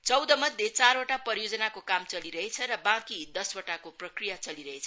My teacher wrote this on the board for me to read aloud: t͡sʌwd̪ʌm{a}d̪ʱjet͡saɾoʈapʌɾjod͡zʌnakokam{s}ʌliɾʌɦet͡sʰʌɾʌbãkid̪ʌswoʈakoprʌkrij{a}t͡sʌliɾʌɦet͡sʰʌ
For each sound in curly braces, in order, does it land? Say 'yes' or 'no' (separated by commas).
no, no, yes